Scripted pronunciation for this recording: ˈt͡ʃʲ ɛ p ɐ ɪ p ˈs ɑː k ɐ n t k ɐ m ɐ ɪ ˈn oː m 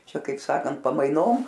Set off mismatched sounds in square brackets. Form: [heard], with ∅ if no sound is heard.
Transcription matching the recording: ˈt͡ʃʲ ɛ [k] ɐ ɪ p ˈs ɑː k ɐ n t [p] ɐ m ɐ ɪ ˈn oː m